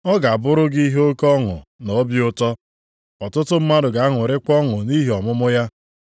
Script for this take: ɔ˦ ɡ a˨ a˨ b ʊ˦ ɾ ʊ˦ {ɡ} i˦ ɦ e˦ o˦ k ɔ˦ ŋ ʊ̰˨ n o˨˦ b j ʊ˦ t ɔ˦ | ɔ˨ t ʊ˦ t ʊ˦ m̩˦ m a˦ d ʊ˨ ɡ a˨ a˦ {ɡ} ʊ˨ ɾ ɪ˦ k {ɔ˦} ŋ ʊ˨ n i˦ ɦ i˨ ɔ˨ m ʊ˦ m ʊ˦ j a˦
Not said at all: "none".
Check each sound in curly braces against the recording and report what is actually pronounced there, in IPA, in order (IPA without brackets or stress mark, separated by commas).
ɡ, ŋ, ɔ˦